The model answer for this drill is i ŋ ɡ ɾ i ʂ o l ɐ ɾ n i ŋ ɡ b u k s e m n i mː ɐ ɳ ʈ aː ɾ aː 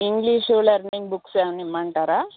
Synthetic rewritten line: i ŋ ɡ l i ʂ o l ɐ ɾ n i ŋ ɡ b u k s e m n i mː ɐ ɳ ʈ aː ɾ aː